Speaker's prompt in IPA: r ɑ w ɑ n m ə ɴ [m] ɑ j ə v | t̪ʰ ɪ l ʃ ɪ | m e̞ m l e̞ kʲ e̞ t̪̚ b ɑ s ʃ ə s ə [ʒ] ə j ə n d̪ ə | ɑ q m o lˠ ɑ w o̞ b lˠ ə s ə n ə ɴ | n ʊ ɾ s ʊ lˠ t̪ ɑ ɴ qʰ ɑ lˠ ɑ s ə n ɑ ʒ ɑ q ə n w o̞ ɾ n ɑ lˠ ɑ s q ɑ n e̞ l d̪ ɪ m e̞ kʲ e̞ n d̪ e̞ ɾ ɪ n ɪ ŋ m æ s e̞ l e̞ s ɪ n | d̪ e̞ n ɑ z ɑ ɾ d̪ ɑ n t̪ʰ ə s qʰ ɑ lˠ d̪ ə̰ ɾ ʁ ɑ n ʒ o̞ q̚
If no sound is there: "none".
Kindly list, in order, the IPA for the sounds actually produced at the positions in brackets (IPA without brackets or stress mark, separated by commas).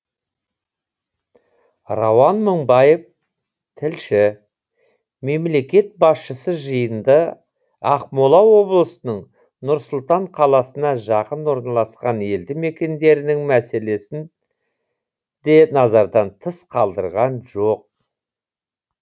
b, ʒ